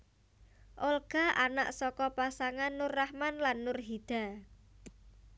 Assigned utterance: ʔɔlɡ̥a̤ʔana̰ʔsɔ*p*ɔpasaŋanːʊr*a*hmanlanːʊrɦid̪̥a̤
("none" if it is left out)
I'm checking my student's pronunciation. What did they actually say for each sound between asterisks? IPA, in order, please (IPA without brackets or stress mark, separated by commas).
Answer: k, a